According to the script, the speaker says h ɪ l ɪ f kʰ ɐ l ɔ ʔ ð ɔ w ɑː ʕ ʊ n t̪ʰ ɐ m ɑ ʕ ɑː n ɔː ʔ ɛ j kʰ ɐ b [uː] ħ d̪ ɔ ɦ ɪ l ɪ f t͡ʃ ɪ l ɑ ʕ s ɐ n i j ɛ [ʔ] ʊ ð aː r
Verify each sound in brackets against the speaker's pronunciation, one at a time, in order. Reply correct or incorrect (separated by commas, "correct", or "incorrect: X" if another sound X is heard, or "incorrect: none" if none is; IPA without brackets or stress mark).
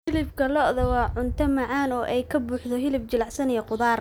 correct, incorrect: q